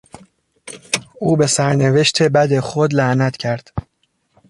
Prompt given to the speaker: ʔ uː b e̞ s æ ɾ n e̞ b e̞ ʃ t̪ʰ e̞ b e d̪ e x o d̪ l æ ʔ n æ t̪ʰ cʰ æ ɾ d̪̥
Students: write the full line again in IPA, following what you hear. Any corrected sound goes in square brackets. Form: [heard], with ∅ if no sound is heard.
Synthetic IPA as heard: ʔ uː b e̞ s æ ɾ n e̞ [v] e̞ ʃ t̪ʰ e̞ b [æ] d̪ e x o d̪ l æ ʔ n æ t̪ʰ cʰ æ ɾ d̪̥